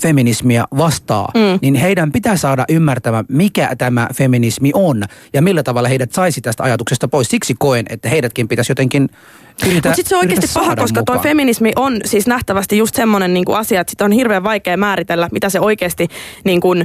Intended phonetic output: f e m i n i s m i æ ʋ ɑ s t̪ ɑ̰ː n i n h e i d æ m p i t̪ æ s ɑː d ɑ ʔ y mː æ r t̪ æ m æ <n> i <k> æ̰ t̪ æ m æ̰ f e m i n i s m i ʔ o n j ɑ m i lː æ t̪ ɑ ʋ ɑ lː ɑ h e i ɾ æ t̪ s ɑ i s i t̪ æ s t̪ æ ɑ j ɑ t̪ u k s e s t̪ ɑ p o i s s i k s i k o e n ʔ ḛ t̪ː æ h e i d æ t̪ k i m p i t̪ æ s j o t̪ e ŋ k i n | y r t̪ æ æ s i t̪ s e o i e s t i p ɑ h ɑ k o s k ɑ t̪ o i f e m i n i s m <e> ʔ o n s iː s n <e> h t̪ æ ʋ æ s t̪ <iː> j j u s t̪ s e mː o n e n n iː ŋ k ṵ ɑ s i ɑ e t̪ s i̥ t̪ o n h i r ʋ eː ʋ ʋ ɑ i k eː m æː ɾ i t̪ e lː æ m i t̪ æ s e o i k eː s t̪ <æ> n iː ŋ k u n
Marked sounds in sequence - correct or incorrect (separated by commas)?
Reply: incorrect, correct, incorrect, incorrect, incorrect, incorrect